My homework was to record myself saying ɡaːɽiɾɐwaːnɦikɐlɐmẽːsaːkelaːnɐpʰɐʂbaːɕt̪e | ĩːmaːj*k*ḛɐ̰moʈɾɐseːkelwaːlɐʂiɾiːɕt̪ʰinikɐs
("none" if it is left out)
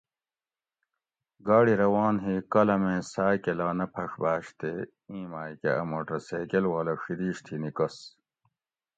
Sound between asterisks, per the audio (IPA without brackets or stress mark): k